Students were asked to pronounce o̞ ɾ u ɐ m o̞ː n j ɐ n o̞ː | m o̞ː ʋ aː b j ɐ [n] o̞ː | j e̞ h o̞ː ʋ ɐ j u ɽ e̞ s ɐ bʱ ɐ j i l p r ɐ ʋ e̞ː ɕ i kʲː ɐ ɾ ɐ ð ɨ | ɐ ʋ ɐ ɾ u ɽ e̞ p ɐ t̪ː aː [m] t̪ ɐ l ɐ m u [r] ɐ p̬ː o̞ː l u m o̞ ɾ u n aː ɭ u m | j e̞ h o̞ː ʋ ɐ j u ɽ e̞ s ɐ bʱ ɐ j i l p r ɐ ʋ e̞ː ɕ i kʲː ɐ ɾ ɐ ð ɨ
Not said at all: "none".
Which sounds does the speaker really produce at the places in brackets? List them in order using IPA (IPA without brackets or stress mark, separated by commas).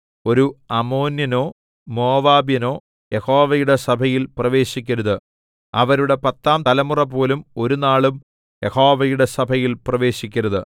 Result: n, m, r